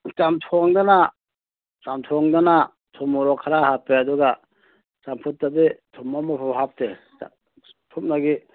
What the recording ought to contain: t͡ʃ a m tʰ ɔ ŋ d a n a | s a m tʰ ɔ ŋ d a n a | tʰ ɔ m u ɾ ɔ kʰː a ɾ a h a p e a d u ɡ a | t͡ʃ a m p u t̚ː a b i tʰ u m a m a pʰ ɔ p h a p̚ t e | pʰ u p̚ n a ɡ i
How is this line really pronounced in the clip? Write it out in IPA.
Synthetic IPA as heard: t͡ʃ a m tʰ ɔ ŋ d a n a | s a m tʰ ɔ ŋ d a n a | tʰ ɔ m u ɾ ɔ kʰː a ɾ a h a p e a d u ɡ a | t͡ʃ a m pʰ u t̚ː a b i tʰ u m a m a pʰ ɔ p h a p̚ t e | pʰ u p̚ n a ɡ i